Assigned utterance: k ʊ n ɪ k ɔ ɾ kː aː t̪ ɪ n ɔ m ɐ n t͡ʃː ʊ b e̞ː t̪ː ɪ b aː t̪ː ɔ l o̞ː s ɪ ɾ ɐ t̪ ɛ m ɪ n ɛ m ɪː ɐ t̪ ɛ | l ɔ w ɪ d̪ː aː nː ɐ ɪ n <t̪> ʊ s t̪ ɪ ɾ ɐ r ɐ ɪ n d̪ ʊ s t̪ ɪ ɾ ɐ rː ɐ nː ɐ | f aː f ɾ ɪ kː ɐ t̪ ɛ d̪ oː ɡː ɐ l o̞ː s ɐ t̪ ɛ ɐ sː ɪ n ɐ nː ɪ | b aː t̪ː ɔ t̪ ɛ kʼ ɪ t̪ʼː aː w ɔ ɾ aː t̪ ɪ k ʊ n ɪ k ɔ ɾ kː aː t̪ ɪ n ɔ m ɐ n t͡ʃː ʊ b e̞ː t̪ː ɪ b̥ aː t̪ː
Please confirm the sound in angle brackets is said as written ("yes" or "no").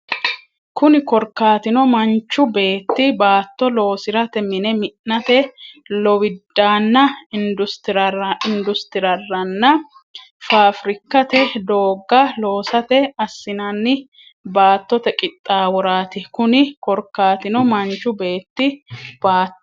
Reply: no